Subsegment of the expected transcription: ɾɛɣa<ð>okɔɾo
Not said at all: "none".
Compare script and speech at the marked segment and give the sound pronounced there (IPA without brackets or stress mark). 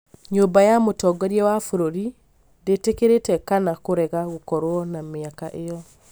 ɣ